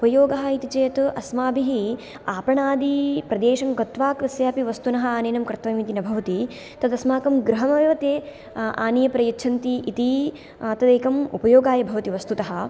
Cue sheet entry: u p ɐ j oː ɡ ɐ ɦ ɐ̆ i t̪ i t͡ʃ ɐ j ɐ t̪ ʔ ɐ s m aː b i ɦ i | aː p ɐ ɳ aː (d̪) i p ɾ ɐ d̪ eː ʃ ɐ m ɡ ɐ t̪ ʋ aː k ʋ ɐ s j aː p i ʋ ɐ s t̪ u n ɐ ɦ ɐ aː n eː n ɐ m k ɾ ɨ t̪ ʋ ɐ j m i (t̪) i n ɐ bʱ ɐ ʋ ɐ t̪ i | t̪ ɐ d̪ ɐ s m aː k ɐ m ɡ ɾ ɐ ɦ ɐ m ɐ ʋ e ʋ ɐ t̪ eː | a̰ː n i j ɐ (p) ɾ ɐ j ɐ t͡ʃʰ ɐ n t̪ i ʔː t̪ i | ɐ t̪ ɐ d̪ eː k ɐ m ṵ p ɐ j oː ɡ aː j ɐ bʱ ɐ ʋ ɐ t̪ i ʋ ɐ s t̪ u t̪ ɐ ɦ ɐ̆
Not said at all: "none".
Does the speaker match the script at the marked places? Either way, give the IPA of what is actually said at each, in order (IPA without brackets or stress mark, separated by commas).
d̪, t̪, p